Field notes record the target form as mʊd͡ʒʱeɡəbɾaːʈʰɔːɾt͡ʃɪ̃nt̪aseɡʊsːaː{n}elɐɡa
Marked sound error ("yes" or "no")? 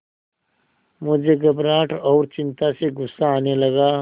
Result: no